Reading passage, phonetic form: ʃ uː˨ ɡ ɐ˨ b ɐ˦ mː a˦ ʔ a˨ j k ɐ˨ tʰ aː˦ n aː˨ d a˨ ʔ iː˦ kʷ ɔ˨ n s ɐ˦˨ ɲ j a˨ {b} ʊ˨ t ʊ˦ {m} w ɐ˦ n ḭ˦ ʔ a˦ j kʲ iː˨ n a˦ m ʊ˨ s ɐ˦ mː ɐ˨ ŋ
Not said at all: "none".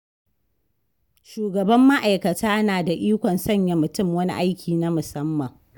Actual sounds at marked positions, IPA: m, m

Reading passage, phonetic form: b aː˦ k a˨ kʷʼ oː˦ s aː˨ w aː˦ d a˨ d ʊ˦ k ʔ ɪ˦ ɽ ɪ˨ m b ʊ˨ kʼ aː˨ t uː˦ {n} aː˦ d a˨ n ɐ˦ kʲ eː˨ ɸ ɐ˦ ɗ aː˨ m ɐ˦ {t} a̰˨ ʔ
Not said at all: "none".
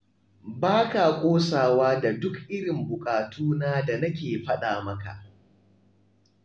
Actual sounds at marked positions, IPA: n, k

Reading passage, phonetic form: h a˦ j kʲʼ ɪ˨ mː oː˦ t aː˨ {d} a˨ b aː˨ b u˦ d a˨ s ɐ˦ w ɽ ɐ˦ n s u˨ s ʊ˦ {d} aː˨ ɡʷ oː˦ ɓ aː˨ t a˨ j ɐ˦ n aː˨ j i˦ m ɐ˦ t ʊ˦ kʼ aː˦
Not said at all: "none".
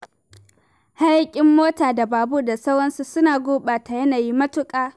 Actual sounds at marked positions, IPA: d, n

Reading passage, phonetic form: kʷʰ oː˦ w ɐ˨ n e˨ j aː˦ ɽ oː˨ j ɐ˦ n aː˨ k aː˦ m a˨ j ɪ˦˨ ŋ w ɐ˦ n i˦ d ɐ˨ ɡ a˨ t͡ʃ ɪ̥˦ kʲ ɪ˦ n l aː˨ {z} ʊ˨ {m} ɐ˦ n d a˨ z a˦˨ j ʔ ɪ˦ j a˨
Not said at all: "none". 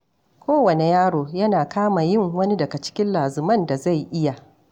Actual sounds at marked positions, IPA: z, m

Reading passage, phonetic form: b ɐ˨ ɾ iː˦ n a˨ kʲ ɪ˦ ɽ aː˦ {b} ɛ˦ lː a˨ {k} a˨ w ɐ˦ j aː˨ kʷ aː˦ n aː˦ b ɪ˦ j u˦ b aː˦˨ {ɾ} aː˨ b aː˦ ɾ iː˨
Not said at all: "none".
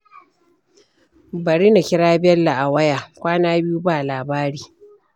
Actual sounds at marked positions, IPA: b, ʔ, l

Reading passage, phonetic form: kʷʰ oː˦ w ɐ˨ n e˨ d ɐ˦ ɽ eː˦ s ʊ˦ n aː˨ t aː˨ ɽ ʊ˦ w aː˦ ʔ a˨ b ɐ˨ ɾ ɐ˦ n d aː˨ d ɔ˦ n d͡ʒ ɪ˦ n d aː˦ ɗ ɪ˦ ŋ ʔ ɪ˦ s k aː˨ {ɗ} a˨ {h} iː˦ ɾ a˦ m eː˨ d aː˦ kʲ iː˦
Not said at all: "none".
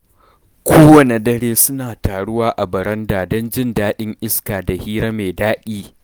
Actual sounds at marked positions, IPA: d, h

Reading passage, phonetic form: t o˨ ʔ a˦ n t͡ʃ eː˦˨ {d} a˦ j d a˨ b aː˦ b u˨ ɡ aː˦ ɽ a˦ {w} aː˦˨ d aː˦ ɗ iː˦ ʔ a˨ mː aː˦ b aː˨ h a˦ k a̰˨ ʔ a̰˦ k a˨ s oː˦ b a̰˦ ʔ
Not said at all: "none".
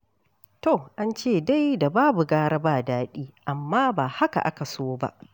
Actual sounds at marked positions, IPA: d, b

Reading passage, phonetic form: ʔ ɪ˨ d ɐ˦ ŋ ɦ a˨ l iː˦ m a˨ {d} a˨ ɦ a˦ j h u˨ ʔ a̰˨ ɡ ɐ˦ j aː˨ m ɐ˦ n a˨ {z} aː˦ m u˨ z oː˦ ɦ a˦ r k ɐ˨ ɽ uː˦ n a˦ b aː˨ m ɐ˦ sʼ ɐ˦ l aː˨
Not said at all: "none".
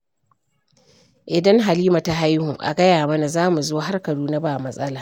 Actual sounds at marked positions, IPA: t, z

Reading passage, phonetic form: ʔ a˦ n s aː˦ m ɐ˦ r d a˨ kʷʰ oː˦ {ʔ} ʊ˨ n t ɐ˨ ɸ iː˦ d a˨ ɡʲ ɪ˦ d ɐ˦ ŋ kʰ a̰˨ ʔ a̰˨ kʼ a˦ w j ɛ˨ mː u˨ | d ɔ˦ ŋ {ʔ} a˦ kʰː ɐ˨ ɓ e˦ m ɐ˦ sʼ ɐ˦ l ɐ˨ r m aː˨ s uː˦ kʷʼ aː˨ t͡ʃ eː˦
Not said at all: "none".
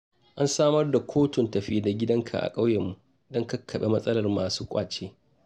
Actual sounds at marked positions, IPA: t, k

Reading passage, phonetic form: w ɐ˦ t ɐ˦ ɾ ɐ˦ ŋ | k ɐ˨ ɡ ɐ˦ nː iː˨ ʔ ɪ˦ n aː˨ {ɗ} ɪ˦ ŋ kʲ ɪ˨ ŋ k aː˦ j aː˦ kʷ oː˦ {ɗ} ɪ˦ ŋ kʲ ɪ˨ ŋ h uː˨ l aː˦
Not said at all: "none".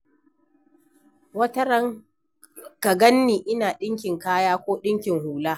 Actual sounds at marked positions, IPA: ɗ, ɗ

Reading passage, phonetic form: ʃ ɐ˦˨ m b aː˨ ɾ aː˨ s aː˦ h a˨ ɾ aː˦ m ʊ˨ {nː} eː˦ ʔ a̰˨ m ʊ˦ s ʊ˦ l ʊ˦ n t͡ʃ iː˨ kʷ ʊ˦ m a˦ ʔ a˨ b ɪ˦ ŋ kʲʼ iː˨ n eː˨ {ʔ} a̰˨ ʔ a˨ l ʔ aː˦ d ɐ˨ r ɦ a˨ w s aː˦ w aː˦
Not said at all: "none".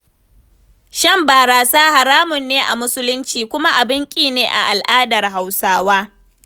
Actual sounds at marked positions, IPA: nː, ʔ

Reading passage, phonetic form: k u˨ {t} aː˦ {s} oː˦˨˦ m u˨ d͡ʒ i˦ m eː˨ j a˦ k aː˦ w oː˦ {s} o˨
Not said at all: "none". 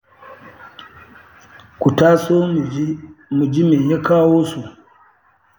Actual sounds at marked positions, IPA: t, s, s

